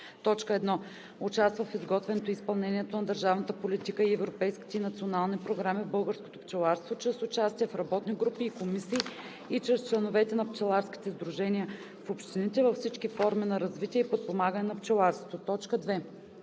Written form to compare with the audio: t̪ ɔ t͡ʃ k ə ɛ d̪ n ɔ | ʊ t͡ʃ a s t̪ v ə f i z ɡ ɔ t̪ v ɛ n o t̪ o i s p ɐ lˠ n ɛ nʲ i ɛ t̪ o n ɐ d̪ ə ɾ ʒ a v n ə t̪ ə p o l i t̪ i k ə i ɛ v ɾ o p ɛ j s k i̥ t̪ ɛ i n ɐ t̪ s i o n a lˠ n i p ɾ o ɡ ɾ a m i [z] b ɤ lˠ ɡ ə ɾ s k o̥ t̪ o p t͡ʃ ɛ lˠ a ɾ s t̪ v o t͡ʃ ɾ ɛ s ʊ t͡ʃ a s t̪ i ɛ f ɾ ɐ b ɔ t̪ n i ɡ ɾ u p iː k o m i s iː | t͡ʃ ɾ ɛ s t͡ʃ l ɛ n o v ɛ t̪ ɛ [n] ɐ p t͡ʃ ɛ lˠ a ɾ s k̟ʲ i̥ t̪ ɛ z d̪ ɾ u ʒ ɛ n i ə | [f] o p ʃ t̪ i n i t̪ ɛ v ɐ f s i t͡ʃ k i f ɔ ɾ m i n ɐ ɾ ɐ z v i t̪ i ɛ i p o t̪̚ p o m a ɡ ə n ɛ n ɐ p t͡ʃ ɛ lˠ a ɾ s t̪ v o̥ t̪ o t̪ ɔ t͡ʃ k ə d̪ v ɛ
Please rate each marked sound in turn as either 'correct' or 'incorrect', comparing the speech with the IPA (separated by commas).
incorrect, correct, correct